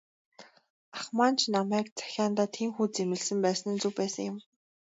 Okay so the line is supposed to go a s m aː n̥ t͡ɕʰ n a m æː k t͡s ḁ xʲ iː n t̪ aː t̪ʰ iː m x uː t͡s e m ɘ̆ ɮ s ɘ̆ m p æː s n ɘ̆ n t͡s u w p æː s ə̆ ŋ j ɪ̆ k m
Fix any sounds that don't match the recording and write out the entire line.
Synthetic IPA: a χ m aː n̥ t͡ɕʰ n a m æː k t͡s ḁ xʲ aː n t̪ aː t̪ʰ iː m x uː t͡s e m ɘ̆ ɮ s ɘ̆ m p æː s n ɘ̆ n t͡s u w p æː s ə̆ ŋ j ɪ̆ m